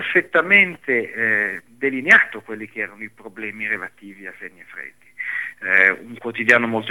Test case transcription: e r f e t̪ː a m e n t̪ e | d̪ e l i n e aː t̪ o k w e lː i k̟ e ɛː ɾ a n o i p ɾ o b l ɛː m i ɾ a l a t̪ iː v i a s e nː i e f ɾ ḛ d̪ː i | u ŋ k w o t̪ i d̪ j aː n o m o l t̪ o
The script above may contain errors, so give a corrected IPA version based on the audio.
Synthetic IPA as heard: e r f e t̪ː a m e n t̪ e | d̪ e l i n e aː t̪ o k w e lː i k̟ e ɛː ɾ a n o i p ɾ o b l ɛː m i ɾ e l a t̪ iː v i a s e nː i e f ɾ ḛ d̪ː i | u ŋ k w o t̪ i d̪ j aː n o m o l t̪ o